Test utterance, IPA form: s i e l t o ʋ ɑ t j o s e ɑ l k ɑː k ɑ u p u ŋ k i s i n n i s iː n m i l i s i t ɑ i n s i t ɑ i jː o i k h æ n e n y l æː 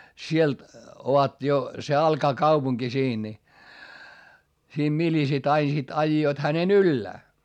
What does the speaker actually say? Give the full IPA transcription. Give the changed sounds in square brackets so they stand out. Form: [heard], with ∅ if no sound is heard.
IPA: s i e l t o ʋ ɑ t j o s e ɑ l k ɑː k ɑ u p u ŋ k i s [iː] n n i s iː [m] m i l i s i t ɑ i n s i t ɑ i jː o i [t] h æ n e n y [lː] æː